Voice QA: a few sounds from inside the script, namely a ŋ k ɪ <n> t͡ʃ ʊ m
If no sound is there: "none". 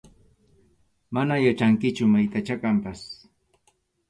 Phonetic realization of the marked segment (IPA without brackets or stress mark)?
none